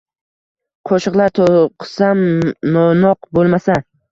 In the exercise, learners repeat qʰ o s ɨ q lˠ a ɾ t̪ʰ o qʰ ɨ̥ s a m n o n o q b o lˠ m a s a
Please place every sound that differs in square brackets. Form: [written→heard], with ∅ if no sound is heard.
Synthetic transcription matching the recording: qʰ o [s→ʃ] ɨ q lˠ a ɾ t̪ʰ o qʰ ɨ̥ s a m n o n [o→ɒ] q b o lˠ m a s a